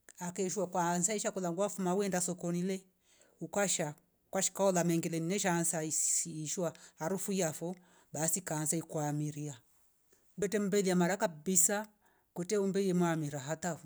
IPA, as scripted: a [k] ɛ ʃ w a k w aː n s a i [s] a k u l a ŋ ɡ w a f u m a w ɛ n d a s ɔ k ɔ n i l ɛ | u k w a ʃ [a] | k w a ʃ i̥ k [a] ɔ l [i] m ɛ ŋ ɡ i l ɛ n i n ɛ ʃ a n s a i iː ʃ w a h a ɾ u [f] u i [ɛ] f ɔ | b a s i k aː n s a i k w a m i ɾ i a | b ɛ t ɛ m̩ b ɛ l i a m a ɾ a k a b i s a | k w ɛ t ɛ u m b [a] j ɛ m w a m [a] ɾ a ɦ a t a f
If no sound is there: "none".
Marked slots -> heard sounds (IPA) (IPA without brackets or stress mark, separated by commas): k, ʃ, a, a, a, f, a, ɛ, i